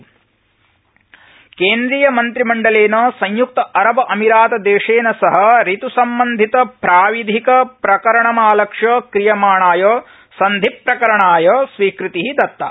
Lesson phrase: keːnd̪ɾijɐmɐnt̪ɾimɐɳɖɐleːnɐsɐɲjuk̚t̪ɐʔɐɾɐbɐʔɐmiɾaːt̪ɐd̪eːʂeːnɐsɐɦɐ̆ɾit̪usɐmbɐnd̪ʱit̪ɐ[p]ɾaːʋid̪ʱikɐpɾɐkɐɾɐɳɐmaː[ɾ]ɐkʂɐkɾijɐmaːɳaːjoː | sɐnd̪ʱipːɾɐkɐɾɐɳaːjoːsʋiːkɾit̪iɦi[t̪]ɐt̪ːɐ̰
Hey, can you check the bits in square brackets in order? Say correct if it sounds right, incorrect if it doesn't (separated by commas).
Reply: correct, incorrect, incorrect